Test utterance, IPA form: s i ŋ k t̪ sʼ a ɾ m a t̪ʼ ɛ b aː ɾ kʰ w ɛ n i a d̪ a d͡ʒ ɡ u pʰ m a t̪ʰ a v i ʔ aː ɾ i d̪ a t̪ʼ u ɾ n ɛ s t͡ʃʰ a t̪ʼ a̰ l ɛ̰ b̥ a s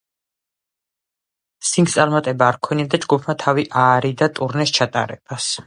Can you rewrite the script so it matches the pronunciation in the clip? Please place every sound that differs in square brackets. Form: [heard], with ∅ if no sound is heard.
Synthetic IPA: s i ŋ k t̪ sʼ a ɾ m a t̪ʼ ɛ b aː ɾ kʰ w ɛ n i a d̪ a d͡ʒ ɡ u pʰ m a t̪ʰ a v i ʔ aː ɾ i d̪ a t̪ʼ u ɾ n ɛ s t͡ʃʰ a t̪ʼ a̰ [ɾ] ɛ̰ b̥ a s